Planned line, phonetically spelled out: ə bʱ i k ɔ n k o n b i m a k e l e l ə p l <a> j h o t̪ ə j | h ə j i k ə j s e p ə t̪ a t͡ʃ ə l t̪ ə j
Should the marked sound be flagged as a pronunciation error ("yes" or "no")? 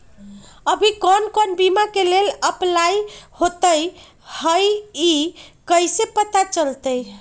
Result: no